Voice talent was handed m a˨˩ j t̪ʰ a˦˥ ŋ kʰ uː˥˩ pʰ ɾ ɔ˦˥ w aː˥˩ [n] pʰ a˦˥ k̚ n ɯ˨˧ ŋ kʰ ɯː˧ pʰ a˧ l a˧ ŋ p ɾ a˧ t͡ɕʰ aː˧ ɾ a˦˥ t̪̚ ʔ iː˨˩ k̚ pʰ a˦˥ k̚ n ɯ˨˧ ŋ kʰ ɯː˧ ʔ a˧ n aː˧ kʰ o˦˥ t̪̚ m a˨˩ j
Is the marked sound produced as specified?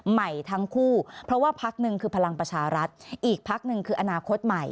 no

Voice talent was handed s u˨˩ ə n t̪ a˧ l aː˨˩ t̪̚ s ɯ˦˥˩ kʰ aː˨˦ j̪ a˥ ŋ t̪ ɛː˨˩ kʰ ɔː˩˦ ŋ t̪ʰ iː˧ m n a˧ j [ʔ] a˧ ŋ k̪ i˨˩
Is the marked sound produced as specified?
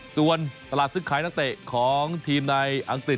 yes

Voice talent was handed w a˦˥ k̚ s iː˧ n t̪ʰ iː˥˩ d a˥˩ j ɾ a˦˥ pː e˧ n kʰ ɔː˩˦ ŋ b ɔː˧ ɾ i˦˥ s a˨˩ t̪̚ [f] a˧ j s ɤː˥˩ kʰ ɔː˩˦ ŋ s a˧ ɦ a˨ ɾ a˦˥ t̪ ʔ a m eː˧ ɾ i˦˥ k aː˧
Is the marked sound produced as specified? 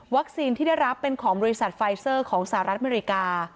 yes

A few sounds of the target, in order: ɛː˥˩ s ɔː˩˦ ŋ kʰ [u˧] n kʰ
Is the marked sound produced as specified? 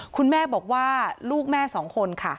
no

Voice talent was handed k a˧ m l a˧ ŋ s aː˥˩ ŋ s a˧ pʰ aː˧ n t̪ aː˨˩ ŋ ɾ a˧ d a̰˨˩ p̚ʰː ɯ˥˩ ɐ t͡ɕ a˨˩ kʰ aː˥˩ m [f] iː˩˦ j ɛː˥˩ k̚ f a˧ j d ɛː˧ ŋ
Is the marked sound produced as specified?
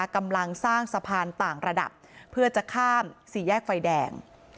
no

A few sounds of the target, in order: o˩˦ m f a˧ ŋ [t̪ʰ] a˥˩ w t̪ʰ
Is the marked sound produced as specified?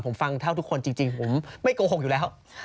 yes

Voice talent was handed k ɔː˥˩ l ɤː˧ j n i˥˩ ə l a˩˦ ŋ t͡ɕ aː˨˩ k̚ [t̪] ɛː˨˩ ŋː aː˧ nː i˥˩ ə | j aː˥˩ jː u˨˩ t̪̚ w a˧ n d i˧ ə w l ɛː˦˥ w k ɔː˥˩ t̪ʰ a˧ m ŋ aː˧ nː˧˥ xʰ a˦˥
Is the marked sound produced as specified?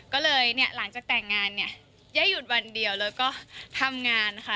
yes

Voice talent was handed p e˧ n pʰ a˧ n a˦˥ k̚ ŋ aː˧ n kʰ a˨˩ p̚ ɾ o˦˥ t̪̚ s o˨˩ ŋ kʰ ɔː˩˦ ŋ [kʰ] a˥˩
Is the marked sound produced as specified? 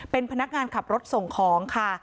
yes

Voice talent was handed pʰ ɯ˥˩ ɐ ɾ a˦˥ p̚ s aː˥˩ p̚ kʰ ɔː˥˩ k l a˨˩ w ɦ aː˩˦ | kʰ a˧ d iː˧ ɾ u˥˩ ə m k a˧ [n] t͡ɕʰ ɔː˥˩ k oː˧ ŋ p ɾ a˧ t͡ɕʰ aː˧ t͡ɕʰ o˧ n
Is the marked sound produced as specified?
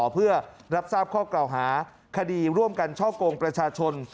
yes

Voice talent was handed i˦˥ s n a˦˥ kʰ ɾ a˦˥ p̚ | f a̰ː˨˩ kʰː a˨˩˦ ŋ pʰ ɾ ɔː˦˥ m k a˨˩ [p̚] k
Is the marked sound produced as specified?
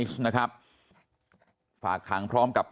yes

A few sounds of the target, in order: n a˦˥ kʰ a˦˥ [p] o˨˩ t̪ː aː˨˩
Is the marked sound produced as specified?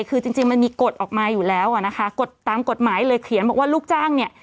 no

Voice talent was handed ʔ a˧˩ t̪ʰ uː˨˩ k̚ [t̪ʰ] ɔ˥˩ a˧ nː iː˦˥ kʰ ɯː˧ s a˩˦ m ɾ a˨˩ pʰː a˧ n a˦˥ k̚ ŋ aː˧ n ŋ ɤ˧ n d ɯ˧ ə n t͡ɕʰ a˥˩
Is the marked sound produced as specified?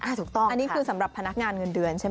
no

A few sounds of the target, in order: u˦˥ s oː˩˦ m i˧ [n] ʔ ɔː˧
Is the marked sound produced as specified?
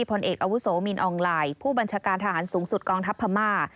yes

